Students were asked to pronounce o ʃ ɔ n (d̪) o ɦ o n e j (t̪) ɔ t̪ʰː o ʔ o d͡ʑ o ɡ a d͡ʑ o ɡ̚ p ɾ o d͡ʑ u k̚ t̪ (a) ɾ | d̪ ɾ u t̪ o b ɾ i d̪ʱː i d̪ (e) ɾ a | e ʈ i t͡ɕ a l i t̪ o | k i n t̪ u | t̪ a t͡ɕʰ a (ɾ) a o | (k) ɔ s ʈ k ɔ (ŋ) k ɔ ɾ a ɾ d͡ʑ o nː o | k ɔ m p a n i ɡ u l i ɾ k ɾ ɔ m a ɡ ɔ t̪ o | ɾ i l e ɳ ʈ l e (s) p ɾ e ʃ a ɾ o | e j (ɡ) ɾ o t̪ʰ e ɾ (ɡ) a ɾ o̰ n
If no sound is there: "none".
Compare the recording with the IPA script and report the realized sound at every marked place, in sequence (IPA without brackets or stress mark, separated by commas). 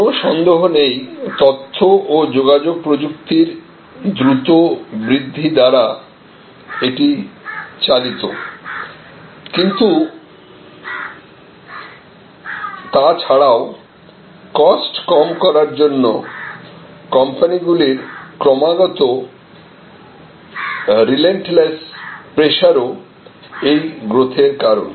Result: d̪, t̪, i, a, ɽ, k, m, s, ɡ, k